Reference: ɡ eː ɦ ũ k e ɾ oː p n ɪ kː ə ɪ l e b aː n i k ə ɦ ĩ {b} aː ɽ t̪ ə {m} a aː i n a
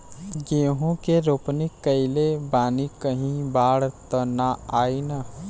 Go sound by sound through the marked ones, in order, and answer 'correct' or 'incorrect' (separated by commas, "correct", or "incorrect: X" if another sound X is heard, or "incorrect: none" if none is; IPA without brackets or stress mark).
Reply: correct, incorrect: n